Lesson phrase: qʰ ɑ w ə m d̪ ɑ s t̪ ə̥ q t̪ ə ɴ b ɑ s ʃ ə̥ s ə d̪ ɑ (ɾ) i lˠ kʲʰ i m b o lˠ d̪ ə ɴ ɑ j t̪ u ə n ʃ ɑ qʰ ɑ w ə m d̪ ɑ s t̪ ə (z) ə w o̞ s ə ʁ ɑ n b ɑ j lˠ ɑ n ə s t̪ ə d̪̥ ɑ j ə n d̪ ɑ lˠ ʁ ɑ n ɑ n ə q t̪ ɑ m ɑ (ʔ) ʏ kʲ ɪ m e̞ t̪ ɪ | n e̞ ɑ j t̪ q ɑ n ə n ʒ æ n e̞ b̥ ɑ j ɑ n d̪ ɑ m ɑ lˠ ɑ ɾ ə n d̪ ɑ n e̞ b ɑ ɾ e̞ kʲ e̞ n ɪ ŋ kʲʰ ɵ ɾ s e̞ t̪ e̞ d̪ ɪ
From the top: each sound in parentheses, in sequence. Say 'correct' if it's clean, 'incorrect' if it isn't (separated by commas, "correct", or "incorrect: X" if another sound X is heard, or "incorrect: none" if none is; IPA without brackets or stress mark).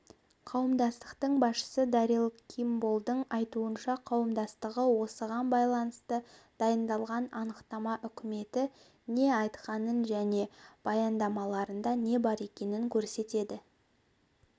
correct, incorrect: ʁ, correct